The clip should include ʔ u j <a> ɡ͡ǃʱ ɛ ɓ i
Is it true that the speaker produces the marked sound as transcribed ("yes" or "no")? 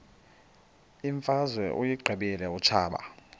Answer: no